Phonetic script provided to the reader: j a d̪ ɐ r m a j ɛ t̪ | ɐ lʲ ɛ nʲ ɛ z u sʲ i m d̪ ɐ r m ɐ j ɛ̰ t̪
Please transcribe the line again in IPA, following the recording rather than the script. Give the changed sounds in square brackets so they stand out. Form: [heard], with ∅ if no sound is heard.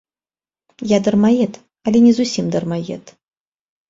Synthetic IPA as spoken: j a d̪ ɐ r m a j ɛ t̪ | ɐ lʲ ɛ nʲ ɛ z u sʲ i m d̪ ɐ r m [a] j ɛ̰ t̪